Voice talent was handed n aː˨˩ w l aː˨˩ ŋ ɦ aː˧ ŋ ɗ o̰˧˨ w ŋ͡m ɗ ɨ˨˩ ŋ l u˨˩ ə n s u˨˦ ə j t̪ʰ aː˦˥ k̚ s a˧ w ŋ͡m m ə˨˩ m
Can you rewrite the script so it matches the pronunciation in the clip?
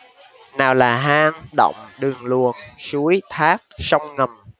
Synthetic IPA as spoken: n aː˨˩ w l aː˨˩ ɦ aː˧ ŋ ɗ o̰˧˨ w ŋ͡m ɗ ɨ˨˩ ŋ l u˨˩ ə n s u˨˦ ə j t̪ʰ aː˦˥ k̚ s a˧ w ŋ͡m ŋ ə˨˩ m